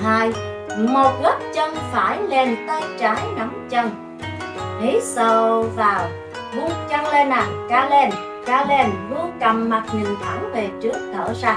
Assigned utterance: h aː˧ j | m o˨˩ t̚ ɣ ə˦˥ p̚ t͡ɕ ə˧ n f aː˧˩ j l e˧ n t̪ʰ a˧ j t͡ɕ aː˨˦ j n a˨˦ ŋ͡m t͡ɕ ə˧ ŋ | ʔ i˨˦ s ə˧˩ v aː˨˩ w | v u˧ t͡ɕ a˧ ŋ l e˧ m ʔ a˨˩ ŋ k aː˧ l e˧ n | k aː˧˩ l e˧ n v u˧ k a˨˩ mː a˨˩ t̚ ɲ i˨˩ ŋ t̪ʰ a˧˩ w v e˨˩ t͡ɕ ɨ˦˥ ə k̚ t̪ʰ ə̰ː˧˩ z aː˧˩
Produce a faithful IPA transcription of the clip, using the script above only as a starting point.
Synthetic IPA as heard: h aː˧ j | m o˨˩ t̚ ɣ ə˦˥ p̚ t͡ɕ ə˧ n f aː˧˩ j l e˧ n t̪ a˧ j t͡ɕ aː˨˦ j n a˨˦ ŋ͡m t͡ɕ ə˧ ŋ | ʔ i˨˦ s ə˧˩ v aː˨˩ w | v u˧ t͡ɕ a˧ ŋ l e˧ n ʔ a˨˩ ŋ k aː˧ l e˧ n | k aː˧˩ l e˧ n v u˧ k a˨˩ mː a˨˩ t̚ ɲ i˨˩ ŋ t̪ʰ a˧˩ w v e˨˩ t͡ɕ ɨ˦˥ ə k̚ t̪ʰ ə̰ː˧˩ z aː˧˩